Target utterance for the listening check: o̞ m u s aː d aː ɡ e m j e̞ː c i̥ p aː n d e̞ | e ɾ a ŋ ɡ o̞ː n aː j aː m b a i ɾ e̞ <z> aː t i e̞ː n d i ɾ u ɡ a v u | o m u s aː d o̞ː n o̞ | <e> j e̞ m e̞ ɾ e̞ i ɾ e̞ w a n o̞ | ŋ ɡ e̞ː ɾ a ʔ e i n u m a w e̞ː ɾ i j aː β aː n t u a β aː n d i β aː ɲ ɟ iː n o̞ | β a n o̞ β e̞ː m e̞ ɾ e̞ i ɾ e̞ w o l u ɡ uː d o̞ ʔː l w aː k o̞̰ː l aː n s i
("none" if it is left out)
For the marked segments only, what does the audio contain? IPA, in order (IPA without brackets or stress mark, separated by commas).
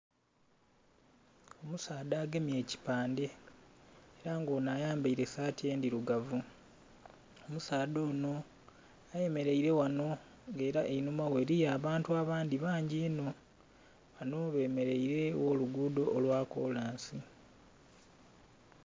s, a